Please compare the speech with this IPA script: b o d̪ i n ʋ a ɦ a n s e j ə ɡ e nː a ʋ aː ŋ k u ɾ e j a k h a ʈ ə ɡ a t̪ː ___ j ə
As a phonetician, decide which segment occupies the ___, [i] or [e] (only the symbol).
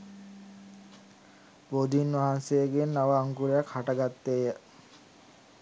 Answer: e